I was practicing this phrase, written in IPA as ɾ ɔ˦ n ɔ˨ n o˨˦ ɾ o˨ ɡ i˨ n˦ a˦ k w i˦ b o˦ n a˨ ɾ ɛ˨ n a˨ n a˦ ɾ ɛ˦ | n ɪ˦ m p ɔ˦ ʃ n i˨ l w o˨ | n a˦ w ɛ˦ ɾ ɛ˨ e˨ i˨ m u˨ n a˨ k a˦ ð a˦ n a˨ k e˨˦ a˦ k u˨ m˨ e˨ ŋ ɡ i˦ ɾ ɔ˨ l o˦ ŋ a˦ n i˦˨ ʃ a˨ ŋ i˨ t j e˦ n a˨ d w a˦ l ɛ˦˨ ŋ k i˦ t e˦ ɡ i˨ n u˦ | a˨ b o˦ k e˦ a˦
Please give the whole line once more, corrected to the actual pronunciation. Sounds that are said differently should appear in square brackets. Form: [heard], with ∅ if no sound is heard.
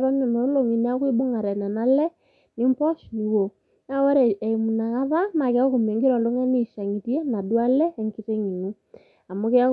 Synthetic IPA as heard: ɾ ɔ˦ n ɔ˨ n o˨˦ [l] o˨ [ŋ] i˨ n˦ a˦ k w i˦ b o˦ [ŋ] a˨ ɾ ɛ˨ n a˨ n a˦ [l] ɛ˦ | n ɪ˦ m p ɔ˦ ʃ n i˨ [∅] w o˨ | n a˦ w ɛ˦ ɾ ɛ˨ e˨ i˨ m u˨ n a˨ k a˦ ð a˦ n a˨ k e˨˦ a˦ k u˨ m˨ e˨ ŋ ɡ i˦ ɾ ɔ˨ l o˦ ŋ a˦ n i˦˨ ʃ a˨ ŋ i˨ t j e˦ n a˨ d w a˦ l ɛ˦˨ ŋ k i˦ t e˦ [ŋ] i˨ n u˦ | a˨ [m] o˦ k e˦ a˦